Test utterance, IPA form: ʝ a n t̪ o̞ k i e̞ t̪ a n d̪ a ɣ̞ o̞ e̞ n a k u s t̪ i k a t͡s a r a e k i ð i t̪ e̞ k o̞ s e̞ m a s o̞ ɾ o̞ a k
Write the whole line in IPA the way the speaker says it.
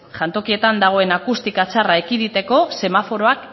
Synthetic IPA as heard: ʝ a n t̪ o̞ k i e̞ t̪ a n d̪ a ɣ̞ o̞ e̞ n a k u s t̪ i k a t͡s a r a e k i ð i t̪ e̞ k o̞ s e̞ m a f o̞ ɾ o̞ a k